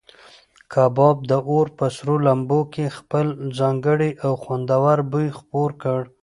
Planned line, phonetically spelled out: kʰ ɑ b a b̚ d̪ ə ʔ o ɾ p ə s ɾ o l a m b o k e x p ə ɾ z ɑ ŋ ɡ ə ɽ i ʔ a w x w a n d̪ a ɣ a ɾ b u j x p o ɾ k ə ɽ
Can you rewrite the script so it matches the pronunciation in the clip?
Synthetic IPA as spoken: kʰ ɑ b ɑ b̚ d̪ ə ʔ o ɾ p ə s ɾ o l a m b o k e x p ə l z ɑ ŋ ɡ ə ɽ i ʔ a w x w a n d̪ a w a ɾ b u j x p o ɾ k ə ɽ